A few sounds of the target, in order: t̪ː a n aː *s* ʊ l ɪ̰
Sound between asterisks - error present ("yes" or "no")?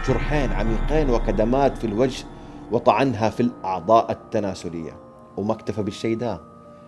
no